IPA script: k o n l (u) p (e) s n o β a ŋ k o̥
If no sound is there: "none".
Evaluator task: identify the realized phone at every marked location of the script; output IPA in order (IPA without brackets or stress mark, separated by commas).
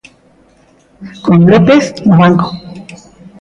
o, e